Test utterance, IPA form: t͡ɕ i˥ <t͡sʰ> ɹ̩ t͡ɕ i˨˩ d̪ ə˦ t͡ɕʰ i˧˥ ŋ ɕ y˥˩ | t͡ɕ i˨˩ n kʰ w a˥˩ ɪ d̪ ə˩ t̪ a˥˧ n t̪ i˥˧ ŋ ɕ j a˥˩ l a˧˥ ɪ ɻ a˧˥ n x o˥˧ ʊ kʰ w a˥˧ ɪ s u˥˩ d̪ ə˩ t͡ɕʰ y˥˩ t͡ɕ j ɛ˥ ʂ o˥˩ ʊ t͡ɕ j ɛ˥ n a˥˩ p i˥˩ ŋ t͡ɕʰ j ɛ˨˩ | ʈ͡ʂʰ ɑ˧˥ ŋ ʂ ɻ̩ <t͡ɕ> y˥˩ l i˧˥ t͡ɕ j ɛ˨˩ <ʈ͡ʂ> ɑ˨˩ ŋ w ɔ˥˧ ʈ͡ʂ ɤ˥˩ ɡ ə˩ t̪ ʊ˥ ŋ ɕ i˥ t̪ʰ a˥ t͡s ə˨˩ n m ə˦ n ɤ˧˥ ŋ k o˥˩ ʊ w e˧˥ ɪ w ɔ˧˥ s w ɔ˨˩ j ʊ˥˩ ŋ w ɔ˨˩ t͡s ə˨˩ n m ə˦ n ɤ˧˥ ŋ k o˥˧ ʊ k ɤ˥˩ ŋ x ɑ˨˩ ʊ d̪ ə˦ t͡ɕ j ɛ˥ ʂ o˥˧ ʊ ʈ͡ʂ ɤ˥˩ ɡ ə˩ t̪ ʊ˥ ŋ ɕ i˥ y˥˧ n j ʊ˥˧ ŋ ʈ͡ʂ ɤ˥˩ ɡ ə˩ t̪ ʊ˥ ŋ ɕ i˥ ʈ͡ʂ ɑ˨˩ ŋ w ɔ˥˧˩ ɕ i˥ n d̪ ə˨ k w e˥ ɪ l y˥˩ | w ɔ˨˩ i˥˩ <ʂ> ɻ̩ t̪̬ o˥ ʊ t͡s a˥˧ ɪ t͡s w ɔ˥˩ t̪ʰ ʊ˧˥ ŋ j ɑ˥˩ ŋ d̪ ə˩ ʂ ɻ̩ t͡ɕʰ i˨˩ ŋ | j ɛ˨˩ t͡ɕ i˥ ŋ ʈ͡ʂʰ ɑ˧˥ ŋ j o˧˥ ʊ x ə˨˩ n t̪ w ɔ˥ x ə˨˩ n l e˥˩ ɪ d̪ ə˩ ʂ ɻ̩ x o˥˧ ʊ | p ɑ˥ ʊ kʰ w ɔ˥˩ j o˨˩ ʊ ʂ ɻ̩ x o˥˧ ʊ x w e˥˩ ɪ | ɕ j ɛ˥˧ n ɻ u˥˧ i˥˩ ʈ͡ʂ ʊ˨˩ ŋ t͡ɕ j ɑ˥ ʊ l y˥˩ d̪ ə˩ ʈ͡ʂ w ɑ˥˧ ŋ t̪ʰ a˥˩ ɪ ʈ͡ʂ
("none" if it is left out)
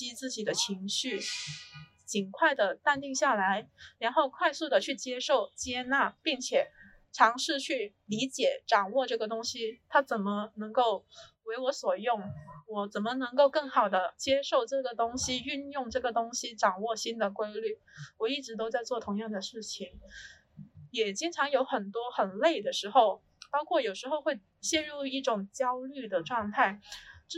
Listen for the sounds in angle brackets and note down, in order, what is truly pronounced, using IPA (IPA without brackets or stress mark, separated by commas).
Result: t͡s, t͡ɕʰ, ʈ͡ʂ, ʈ͡ʂ